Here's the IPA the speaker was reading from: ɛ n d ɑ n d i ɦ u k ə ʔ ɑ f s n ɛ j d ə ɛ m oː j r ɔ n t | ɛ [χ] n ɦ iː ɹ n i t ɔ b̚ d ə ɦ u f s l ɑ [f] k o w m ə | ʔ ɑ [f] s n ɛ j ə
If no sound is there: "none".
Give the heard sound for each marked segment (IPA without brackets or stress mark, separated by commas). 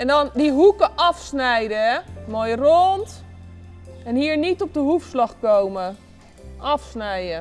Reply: none, χ, f